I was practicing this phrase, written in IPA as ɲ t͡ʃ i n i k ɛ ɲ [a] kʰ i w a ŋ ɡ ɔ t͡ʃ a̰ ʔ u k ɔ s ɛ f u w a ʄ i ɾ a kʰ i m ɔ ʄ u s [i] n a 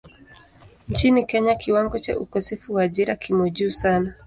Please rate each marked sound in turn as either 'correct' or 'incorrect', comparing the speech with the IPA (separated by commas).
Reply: correct, incorrect